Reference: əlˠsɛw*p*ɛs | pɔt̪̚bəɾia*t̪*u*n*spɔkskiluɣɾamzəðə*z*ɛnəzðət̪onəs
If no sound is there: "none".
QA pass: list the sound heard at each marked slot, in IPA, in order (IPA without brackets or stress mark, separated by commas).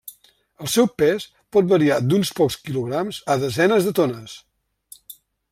p, d̪, n, z